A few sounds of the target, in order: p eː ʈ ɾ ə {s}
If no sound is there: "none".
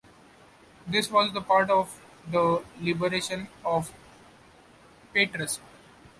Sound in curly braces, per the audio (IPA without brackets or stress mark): s